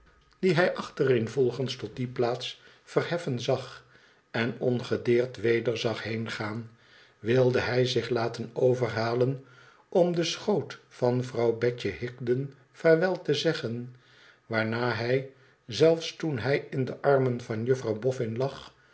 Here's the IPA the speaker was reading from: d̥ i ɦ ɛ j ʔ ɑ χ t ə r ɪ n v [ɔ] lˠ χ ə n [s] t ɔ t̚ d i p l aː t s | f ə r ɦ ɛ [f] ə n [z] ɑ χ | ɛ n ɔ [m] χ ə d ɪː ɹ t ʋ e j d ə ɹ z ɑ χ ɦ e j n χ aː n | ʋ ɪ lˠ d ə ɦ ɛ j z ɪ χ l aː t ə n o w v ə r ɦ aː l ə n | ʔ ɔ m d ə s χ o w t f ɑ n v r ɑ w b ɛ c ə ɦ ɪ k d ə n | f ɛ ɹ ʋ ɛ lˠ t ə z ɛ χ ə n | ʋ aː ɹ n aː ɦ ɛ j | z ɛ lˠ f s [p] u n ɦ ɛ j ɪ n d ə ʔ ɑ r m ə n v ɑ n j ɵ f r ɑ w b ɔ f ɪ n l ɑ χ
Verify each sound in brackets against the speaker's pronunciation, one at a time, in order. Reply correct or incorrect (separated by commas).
correct, correct, correct, correct, incorrect, incorrect